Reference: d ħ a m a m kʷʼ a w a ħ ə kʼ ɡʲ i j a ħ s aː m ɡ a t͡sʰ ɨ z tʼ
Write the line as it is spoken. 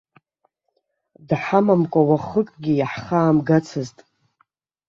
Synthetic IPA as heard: d ħ a m a m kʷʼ a w a χ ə kʼ ɡʲ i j a ħ χ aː m ɡ a t͡sʰ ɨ z tʼ

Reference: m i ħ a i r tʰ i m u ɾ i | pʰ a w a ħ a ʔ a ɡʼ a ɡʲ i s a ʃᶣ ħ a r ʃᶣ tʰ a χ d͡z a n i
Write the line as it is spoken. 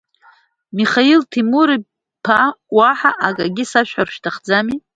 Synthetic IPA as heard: m i χ a i l tʰ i m u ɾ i | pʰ a w a ħ a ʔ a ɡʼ a ɡʲ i s a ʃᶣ ħ a r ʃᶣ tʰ a χ d͡z a m i

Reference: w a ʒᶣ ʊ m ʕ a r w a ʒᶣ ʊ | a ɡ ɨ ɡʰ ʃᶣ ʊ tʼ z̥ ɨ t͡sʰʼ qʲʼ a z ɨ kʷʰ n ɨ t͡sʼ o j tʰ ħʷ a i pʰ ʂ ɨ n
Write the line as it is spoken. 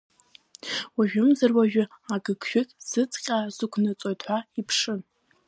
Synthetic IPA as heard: w a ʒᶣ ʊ m z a r w a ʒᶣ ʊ | a ɡ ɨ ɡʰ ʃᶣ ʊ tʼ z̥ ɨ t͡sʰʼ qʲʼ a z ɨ kʷʰ n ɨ t͡sʼ o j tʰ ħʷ a i pʰ ʂ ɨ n

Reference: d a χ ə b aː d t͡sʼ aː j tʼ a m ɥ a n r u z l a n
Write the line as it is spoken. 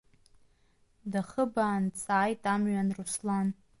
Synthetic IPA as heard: d a χ ə b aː n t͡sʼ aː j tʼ a m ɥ a n r u s l a n

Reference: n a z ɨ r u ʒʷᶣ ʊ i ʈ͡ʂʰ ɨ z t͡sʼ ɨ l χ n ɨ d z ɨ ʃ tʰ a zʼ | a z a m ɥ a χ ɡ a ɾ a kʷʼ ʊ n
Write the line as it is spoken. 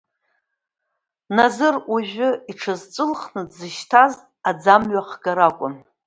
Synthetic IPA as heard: n a z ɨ r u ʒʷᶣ ʊ i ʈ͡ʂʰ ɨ z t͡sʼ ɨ l χ n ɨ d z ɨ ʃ tʰ a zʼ | a d͡z a m ɥ a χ ɡ a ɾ a kʷʼ ʊ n

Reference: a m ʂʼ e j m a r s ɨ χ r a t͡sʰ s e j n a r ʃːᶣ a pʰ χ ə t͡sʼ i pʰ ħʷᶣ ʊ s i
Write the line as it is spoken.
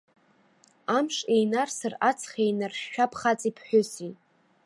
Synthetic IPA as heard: a m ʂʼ e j n a r s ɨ r a t͡sʰ χ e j n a r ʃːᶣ a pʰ χ a t͡sʼ i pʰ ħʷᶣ ʊ s i

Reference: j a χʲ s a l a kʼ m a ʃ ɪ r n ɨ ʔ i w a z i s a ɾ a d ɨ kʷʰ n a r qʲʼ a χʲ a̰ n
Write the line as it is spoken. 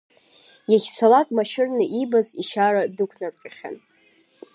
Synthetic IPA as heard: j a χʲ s a l a kʼ m a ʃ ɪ r n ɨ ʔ i b a z i ʃ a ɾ a d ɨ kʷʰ n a r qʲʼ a χʲ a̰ n

